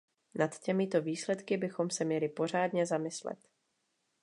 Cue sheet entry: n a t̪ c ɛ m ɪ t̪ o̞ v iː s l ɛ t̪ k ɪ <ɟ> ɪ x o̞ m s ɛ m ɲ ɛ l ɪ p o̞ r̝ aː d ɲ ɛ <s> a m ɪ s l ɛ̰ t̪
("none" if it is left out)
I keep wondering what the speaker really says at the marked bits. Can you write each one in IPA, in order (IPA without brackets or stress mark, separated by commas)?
b, z